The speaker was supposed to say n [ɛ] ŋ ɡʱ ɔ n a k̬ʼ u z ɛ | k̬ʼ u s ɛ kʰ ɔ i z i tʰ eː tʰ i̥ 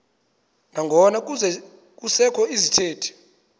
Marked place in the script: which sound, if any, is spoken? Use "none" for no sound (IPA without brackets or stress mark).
a